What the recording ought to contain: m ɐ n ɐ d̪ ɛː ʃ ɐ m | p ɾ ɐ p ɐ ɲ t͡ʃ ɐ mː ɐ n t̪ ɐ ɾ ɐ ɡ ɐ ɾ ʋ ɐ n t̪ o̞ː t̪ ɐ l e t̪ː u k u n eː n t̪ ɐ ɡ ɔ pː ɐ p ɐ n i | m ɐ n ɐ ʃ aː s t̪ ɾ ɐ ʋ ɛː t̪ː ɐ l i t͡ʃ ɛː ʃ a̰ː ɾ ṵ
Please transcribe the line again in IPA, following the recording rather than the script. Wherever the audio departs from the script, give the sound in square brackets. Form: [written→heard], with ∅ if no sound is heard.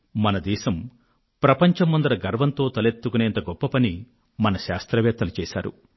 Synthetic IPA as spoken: m ɐ n ɐ d̪ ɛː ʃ ɐ m | p ɾ ɐ p ɐ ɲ t͡ʃ ɐ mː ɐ n [t̪→d̪] ɐ ɾ ɐ ɡ ɐ ɾ ʋ ɐ n t̪ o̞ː t̪ ɐ l e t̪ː u k u n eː n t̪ ɐ ɡ ɔ pː ɐ p ɐ n i | m ɐ n ɐ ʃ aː s t̪ ɾ ɐ ʋ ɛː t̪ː ɐ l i t͡ʃ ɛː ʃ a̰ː ɾ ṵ